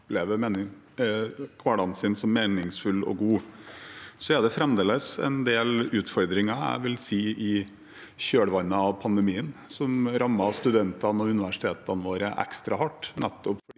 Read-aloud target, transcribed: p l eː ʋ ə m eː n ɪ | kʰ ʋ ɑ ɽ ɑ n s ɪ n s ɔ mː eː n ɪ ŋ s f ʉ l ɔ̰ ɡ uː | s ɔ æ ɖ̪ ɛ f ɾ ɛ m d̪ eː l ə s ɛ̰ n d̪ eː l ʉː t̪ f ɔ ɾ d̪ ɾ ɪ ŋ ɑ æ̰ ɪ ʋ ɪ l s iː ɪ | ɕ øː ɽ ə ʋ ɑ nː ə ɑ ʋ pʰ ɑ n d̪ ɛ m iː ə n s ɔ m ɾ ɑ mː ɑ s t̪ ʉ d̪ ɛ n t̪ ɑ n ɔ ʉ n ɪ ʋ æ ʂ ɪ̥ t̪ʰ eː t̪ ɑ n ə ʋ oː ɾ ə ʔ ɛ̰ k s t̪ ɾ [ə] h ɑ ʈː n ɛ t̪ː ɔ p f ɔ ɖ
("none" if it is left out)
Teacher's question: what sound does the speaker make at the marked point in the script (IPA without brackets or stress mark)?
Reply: ɑ